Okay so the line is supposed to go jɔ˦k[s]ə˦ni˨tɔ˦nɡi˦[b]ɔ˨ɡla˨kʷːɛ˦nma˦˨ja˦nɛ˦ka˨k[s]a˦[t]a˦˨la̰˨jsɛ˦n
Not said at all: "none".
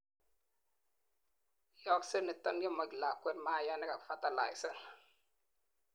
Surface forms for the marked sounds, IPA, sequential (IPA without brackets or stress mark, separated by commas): s, m, f, t